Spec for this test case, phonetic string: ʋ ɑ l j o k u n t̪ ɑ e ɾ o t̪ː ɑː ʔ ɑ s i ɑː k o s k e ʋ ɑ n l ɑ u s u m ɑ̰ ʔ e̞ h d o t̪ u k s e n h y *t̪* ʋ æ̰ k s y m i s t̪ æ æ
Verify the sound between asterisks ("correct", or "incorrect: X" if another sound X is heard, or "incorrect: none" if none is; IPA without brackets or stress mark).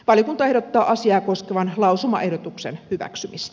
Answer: incorrect: none